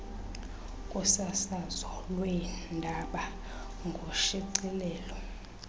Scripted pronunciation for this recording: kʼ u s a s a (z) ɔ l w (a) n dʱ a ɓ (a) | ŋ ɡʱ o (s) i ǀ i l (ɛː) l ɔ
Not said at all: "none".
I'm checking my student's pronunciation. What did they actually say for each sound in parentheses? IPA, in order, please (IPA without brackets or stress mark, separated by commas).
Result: z, ɛ, a, ʃ, ɛː